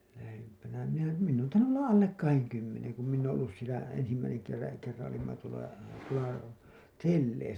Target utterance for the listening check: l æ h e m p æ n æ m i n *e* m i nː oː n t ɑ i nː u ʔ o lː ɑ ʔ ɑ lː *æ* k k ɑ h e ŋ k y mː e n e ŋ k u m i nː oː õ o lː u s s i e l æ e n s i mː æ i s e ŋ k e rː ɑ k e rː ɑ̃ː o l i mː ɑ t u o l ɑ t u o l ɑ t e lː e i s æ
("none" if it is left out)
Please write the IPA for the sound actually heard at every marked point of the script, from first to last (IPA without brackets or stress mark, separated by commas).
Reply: æ, e